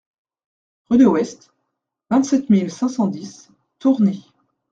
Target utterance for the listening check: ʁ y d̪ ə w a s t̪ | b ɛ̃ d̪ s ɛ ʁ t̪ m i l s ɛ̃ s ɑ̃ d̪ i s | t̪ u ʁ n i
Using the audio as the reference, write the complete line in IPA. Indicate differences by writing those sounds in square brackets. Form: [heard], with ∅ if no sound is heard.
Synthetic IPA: ʁ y d̪ ə w [ɛ] s t̪ | [v] ɛ̃ [t̪] s ɛ [∅] t̪ m i l s ɛ̃ s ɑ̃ d̪ i s | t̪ u ʁ n [e]